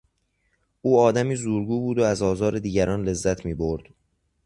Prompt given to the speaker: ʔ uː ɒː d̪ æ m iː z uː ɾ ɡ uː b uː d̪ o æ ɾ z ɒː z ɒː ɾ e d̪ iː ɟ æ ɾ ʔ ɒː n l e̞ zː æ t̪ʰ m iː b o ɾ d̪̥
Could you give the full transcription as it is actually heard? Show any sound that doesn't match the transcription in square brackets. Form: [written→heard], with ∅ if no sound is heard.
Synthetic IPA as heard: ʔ uː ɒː d̪ æ m iː z uː ɾ ɡ uː b uː d̪ o æ [ɾ→∅] z ɒː z ɒː ɾ e d̪ iː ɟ æ ɾ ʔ ɒː n l e̞ zː æ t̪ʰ m iː b o ɾ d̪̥